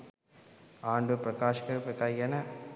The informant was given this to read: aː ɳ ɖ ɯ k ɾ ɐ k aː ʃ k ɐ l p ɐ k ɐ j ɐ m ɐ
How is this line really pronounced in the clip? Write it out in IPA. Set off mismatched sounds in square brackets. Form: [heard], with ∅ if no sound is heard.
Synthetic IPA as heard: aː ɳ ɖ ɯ [p] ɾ ɐ k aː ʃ k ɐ [ɾ] p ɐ k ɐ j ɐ [n] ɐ